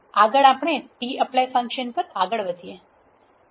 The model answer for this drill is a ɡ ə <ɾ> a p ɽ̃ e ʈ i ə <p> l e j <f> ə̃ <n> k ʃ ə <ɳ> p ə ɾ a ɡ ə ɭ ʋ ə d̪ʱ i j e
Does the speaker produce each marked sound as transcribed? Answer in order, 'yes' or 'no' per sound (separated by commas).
no, yes, yes, no, no